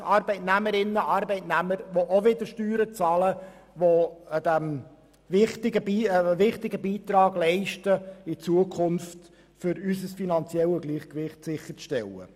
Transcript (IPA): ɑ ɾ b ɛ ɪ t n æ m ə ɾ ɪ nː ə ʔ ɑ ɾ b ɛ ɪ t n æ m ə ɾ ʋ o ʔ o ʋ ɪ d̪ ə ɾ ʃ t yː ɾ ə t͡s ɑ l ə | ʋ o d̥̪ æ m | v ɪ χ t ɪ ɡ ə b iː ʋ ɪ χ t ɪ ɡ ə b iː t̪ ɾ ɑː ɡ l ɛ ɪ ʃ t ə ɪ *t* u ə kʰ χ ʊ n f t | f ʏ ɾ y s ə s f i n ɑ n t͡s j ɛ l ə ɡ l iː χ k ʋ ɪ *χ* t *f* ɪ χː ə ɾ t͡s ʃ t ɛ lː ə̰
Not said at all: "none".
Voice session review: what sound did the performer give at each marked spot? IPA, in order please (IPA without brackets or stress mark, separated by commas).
t͡s, χ, s